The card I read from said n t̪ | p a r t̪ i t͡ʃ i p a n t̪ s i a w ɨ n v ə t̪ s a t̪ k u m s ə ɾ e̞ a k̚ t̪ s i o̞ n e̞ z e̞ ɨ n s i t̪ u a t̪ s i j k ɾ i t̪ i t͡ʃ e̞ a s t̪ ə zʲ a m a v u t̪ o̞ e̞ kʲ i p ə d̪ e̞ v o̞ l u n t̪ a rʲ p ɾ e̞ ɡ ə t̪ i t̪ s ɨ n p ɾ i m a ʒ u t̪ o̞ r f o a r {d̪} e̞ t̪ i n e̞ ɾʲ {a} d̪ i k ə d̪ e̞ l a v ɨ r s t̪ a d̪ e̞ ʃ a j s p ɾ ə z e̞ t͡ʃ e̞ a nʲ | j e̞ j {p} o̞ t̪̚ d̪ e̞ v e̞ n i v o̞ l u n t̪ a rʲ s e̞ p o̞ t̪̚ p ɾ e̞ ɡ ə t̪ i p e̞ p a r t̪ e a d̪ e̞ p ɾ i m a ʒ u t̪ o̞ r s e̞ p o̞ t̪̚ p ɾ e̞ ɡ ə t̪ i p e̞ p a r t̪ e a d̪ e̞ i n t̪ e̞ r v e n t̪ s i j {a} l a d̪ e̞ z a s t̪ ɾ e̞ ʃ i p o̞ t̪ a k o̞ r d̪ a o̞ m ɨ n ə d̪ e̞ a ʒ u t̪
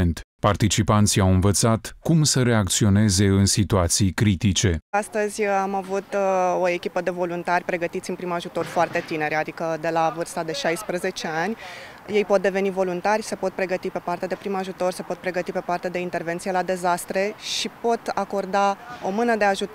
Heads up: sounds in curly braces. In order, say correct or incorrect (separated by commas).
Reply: incorrect, correct, correct, incorrect